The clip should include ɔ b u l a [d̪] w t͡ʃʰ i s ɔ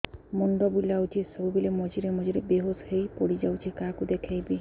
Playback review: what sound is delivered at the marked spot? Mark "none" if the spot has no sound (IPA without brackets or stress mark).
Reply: none